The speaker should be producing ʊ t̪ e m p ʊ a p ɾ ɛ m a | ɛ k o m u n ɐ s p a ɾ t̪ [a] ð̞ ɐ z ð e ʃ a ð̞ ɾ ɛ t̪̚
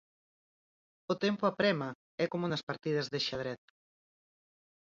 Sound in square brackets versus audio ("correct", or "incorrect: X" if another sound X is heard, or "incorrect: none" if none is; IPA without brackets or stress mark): incorrect: i